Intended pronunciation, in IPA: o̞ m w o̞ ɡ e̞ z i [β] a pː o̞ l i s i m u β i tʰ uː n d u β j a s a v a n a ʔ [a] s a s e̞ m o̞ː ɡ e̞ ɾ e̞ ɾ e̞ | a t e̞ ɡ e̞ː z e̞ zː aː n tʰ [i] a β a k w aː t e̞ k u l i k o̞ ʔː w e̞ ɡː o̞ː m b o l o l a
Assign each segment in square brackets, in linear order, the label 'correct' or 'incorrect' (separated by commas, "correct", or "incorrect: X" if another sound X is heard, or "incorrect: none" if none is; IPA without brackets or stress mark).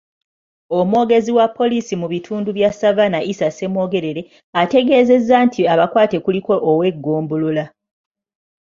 incorrect: w, incorrect: i, correct